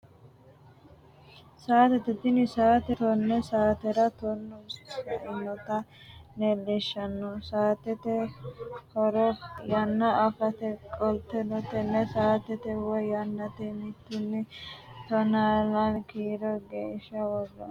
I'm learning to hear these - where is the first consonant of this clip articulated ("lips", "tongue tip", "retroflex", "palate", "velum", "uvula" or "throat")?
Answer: tongue tip